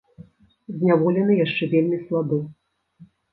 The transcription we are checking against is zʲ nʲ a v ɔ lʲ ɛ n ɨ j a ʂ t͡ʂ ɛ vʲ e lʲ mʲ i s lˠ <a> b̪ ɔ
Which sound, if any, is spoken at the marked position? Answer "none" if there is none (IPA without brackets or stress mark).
a